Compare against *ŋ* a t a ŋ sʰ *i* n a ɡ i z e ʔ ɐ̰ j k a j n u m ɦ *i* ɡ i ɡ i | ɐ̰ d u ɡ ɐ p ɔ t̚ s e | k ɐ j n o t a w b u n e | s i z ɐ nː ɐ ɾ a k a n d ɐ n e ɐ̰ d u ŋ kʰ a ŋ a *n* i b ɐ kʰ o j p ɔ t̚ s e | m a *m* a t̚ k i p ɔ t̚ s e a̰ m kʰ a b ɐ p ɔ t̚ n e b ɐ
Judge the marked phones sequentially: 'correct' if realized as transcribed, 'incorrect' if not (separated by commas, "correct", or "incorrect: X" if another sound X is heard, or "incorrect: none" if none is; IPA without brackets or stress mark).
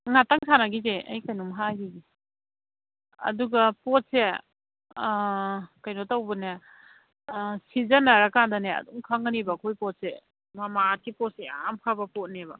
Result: correct, incorrect: a, incorrect: a, correct, correct